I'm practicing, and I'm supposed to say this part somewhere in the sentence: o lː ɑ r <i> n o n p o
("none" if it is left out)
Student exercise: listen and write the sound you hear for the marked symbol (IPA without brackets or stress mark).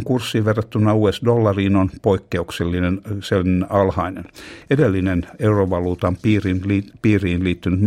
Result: iː